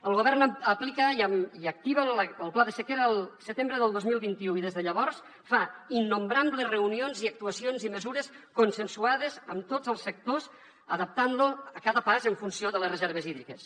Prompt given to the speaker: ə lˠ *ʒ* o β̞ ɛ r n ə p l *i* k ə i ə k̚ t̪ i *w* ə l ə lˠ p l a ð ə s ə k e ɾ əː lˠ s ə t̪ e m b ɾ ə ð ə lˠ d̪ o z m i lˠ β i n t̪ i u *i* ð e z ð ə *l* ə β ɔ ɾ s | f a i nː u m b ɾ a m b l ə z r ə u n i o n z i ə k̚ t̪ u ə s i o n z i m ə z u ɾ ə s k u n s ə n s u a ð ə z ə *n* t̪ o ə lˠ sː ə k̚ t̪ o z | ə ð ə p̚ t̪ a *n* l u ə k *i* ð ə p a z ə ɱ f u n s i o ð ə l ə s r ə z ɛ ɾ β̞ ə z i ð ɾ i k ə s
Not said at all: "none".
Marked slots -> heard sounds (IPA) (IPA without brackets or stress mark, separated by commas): ɣ, i, β, i, ʎ, m, n, a